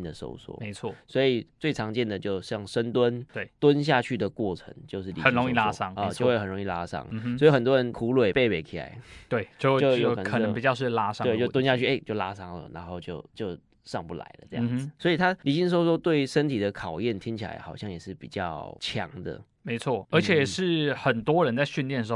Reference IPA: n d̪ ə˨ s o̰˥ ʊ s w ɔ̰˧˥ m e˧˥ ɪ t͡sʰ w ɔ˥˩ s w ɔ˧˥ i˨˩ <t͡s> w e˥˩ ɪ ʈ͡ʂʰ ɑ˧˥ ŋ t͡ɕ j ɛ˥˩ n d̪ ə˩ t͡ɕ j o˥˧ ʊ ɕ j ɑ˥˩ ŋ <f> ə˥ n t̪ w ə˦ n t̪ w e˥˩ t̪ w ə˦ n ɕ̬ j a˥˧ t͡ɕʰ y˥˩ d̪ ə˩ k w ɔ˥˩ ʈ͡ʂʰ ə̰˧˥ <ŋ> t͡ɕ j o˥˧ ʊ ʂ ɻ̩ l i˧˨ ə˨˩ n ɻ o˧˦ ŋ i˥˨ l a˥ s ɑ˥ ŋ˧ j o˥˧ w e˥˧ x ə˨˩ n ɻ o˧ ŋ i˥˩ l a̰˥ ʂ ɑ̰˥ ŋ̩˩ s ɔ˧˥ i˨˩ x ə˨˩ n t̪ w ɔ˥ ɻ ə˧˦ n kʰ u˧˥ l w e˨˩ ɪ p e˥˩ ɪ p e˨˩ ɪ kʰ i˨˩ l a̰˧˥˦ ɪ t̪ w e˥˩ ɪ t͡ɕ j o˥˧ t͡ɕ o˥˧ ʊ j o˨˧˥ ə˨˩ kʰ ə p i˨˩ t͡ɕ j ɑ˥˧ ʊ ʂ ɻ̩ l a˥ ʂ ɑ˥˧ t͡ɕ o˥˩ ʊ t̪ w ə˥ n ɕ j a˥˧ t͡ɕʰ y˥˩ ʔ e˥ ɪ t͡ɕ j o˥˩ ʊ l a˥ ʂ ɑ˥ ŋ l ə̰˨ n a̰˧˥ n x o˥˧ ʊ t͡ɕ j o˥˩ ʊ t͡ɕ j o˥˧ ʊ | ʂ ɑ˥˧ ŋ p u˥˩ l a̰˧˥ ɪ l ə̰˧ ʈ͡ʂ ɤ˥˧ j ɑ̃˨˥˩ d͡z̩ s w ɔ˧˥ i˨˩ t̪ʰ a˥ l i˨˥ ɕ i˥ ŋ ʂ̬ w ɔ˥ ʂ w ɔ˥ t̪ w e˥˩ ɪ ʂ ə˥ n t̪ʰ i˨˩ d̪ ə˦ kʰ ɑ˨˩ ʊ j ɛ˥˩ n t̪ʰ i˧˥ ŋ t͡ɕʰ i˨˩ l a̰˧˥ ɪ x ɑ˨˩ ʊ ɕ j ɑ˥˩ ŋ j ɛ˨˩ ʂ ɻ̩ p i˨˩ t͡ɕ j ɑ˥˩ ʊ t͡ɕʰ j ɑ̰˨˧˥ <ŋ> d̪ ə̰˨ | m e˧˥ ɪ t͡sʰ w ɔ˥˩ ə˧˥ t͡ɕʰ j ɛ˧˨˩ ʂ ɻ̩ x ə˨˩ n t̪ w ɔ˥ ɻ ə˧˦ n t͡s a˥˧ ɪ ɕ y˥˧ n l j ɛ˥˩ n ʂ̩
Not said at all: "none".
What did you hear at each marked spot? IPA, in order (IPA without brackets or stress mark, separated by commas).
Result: t͡s, ʂ, ŋ, ŋ